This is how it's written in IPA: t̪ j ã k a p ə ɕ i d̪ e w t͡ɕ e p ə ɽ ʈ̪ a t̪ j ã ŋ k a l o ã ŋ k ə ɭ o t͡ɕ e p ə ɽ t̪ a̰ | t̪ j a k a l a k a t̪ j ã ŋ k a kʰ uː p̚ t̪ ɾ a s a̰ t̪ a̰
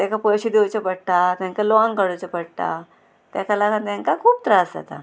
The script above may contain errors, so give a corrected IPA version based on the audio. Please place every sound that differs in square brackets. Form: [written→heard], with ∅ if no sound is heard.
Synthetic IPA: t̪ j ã k a p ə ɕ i d̪ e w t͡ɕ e p ə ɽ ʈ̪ a t̪ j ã ŋ k a l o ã ŋ k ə [ɭ→ɽ] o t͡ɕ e p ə ɽ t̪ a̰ | t̪ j a k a l a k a t̪ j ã ŋ k a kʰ uː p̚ t̪ ɾ a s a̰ t̪ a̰

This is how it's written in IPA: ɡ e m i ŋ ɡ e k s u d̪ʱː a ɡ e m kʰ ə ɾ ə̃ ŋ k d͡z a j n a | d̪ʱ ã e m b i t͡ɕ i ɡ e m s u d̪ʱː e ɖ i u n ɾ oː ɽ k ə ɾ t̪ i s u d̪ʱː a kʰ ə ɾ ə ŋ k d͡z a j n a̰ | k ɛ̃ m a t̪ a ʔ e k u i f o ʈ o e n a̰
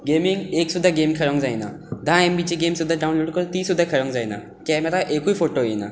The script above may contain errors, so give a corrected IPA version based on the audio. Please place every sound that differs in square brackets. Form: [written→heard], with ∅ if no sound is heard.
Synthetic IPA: ɡ e m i ŋ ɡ e k s u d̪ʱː a ɡ e m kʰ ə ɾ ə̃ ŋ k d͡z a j n a | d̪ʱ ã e m b i t͡ɕ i ɡ e m s u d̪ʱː [e→a] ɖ [i→a] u n [ɾ→l] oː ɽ k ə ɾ t̪ i s u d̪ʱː a kʰ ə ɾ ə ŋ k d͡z a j n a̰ | k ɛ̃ m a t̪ a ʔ e k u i f o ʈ o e n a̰

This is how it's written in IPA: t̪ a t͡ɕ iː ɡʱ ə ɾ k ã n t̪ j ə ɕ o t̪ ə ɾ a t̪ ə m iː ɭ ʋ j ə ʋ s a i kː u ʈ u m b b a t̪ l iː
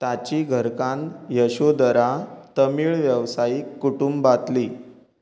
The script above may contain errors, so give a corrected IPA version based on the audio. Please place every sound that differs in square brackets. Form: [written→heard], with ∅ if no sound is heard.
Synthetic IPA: t̪ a t͡ɕ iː ɡʱ ə ɾ k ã n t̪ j ə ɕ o [t̪→d̪] ə ɾ a t̪ ə m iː ɭ ʋ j ə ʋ s a i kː u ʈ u m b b a t̪ l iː

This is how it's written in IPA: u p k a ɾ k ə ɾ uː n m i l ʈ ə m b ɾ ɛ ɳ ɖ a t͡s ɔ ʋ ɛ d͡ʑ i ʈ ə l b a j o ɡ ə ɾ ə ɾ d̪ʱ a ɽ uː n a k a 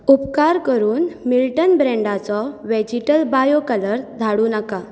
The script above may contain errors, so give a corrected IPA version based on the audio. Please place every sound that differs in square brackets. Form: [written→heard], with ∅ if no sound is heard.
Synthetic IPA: u p k a ɾ k ə ɾ uː n m i l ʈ ə [m→n] b ɾ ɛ ɳ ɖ a t͡s ɔ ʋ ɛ d͡ʑ i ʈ ə l b a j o [ɡ→k] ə [ɾ→l] ə ɾ d̪ʱ a ɽ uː n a k a

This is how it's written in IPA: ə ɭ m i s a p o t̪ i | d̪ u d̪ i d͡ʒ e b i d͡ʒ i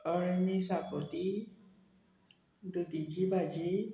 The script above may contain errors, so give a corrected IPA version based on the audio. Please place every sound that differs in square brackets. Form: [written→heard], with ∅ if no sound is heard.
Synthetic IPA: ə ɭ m i s a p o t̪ i | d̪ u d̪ i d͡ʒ [e→i] b [i→a] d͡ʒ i

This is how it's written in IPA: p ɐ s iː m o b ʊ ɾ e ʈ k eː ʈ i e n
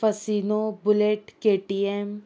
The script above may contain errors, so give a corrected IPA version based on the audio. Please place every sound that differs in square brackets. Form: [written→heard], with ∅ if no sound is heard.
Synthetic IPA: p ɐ s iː [m→n] o b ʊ [ɾ→l] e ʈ k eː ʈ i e [n→m]

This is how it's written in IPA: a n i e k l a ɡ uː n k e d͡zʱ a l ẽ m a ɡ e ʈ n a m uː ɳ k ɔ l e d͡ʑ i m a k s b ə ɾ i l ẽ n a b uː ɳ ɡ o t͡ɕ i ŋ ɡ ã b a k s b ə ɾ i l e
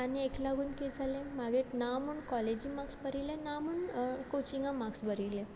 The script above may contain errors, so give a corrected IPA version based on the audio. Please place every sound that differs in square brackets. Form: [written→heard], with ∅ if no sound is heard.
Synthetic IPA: a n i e k l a ɡ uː n k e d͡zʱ a l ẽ m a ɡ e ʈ n a m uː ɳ k ɔ l e d͡ʑ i m a k s b ə ɾ i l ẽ n a [b→m] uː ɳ [ɡ→k] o t͡ɕ i ŋ ɡ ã [b→m] a k s b ə ɾ i l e

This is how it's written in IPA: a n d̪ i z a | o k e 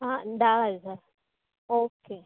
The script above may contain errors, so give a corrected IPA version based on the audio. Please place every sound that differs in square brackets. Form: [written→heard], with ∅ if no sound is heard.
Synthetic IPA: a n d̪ [i→a] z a | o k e

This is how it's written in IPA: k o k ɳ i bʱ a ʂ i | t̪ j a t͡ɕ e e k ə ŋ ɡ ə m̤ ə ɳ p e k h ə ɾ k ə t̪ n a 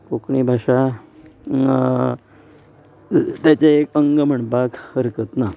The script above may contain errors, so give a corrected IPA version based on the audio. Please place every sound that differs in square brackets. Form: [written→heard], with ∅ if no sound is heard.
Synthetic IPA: k o k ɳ i bʱ a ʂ [i→a] | t̪ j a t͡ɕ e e k ə ŋ ɡ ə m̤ ə ɳ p [e→a] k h ə ɾ k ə t̪ n a

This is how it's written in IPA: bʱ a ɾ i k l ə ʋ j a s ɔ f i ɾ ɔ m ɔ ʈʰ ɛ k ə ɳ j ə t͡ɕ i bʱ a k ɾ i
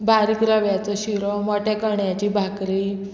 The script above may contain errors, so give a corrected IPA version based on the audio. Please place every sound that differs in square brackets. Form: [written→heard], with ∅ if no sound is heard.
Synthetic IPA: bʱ a ɾ i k [l→ɾ] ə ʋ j a [s→t͡s] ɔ [f→ɕ] i ɾ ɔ m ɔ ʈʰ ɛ k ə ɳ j [ə→a] t͡ɕ i bʱ a k ɾ i

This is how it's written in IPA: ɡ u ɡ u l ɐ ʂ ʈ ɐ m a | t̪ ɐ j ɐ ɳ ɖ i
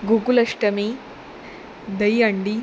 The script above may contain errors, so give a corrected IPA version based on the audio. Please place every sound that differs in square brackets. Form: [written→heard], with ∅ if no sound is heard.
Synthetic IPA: ɡ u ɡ u l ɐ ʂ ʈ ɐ m [a→i] | [t̪→d̪] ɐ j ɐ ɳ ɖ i

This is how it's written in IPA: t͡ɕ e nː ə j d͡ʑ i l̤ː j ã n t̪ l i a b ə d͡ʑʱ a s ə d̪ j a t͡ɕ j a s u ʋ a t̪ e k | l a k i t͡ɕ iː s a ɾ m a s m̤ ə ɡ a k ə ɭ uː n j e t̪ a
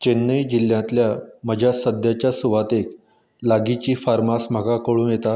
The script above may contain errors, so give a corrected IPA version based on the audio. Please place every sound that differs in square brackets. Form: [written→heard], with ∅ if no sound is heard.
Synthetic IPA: t͡ɕ e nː ə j d͡ʑ i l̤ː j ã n t̪ l [i→j] a [b→m] ə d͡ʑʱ a s ə d̪ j a t͡ɕ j a s u ʋ a t̪ e k | l a [k→ɡ] i t͡ɕ iː [s→f] a ɾ m a s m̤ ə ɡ a k ə ɭ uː n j e t̪ a

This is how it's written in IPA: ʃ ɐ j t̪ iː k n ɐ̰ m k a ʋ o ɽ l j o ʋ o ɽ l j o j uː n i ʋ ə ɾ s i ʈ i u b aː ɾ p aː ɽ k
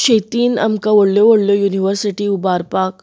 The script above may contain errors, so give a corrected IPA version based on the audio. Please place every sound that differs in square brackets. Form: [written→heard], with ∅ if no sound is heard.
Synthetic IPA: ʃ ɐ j t̪ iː [k→∅] n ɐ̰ m k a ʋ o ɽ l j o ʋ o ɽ l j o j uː n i ʋ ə ɾ s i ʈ i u b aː ɾ p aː [ɽ→∅] k

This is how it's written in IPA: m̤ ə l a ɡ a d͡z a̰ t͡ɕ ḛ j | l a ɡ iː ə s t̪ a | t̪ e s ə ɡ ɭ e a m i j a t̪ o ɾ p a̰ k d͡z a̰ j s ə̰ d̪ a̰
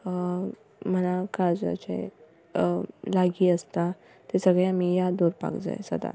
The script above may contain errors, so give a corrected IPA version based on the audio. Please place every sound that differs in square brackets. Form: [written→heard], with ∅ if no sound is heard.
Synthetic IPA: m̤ ə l a [ɡ→k] a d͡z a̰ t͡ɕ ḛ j | l a ɡ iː ə s t̪ a | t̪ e s ə ɡ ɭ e a m i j a [t̪→d̪] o ɾ p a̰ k d͡z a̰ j s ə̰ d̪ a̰

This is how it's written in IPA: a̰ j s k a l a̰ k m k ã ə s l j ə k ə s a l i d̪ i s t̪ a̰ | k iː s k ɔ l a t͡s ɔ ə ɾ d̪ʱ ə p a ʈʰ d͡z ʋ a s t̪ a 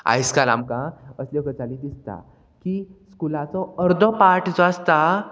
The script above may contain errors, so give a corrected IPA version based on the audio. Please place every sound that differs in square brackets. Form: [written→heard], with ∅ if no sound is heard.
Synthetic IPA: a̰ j s k a l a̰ [k→∅] m k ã ə s l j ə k ə [s→t͡s] a l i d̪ i s t̪ a̰ | k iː s k [ɔ→u] l a t͡s ɔ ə ɾ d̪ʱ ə p a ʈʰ d͡z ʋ a s t̪ a

